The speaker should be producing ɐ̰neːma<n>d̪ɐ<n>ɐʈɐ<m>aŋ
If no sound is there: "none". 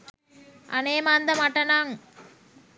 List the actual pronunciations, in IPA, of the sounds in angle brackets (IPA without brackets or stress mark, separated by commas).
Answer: n, m, n